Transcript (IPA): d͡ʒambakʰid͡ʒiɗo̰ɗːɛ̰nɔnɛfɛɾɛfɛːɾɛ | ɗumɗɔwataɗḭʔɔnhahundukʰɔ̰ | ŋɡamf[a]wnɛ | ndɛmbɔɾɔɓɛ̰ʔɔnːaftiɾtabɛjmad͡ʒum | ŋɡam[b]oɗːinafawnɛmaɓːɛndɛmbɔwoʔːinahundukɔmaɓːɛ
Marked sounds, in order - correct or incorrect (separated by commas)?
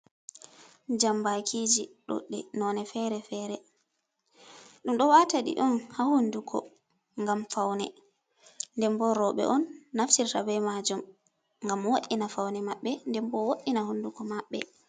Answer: correct, incorrect